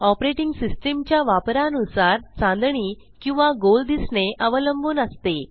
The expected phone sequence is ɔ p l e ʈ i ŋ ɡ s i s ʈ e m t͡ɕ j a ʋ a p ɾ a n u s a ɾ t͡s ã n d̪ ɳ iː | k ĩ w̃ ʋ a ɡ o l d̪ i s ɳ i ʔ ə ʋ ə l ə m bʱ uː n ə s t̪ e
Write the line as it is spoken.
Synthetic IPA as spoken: ɔ p ɾ e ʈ i ŋ ɡ s i s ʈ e m t͡ɕ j a ʋ a p ɾ a n u s a ɾ t͡s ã n d̪ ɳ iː | k ĩ w̃ ʋ a ɡ o l d̪ i s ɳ e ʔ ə ʋ ə l ə m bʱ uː n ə s t̪ e